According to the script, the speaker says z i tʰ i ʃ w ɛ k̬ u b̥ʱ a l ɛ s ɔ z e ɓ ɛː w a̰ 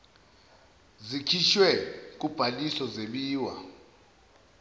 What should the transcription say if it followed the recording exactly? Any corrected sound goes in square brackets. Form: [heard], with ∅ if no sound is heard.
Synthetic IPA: z i [kʰ] i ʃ w ɛ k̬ u b̥ʱ a l [i] s ɔ z e ɓ [iː] w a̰

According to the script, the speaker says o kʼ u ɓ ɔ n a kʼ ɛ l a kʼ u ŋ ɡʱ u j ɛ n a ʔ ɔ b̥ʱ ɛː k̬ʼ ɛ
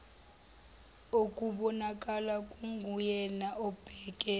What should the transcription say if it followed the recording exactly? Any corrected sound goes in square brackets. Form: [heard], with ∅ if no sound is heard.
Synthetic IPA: o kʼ u ɓ ɔ n a kʼ [a] l a kʼ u ŋ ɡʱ u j ɛ n a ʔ ɔ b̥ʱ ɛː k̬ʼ ɛ

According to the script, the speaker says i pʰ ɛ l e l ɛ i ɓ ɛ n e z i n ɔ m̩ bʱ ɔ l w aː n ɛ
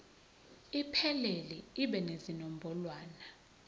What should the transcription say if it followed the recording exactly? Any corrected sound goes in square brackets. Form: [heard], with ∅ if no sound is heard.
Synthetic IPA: i pʰ ɛ l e l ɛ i ɓ ɛ n e z i n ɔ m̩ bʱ ɔ l w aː n [a]

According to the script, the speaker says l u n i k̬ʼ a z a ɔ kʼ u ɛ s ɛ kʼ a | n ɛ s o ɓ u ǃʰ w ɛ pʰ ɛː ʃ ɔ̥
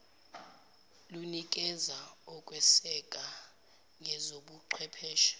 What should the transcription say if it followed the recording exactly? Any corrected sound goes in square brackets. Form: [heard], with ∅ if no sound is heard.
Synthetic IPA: l u n i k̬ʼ [ɛ] z a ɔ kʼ [w] ɛ s ɛ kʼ a | [ŋ] ɛ [z] o ɓ u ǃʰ w ɛ pʰ ɛː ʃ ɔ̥

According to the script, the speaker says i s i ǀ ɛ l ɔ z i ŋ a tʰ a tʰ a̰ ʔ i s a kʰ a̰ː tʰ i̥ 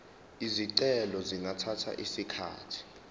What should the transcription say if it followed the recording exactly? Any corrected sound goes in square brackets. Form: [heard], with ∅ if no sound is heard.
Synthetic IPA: i [z] i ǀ ɛ l ɔ z i ŋ a tʰ a tʰ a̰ ʔ i s [i] kʰ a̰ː tʰ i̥

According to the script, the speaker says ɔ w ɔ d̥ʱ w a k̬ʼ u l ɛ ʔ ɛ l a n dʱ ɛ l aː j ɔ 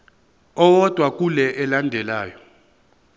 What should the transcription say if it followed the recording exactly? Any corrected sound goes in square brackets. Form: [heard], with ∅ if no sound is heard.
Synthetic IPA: ɔ w ɔ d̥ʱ w a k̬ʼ u l ɛ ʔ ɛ l a n dʱ ɛ l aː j ɔ

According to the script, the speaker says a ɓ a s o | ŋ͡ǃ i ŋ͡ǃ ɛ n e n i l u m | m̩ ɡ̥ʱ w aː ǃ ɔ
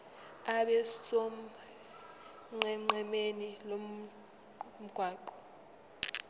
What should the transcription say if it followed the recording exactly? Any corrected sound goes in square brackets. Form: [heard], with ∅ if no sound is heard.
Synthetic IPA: a ɓ [ɛ] s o | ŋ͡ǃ [ɛ] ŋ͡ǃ ɛ [m] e n i l [o] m | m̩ ɡ̥ʱ w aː ǃ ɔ

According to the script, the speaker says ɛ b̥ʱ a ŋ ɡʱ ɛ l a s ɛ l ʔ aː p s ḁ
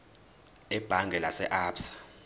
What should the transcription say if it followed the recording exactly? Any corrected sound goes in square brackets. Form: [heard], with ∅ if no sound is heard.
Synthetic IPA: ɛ b̥ʱ a ŋ ɡʱ ɛ l a s ɛ [∅] ʔ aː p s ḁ

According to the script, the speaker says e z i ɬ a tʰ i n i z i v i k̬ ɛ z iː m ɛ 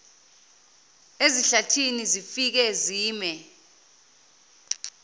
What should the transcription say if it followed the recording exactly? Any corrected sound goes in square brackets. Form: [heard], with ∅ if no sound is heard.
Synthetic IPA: e z i ɬ a tʰ i n i z i [f] i k̬ ɛ z iː m ɛ

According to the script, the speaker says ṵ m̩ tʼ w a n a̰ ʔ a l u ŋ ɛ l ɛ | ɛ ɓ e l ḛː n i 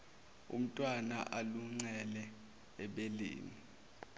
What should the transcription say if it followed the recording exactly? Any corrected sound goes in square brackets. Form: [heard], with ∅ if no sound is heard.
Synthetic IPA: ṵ m̩ tʼ w a n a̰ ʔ a l u [ŋ͡ǀ] ɛ l ɛ | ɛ ɓ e l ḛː n i

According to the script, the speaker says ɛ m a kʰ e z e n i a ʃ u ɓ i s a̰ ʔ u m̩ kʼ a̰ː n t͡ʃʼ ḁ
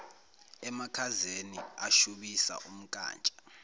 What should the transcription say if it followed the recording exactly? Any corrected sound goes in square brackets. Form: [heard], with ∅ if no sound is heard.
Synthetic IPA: ɛ m a kʰ [a] z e n i a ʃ u ɓ i s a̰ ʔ u m̩ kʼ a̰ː n t͡ʃʼ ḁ

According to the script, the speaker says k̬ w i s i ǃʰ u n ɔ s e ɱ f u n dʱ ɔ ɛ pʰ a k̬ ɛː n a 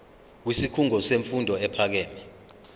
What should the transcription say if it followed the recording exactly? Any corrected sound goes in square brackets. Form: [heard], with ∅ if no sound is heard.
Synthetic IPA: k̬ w i s i [kʰ] u [ŋ] ɔ s e ɱ f u n dʱ ɔ ɛ pʰ a k̬ ɛː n [ɛ]

